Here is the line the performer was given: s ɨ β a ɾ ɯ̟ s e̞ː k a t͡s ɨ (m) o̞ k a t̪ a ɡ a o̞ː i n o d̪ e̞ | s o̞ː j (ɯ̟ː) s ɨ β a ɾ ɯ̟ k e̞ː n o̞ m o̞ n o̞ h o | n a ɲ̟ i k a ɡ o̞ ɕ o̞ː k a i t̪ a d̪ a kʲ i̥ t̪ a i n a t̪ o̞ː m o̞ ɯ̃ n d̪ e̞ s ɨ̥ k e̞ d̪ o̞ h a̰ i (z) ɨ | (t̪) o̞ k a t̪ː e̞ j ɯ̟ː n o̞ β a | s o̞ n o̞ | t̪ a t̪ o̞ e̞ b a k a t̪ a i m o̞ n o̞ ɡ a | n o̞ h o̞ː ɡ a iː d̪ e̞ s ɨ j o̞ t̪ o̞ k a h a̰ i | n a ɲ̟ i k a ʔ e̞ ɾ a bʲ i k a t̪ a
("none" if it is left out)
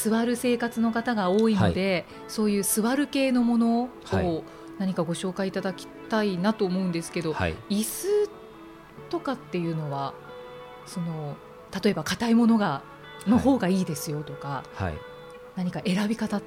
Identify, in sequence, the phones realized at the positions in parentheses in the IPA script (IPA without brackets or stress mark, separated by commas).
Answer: n, ɯ̟ː, s, t̪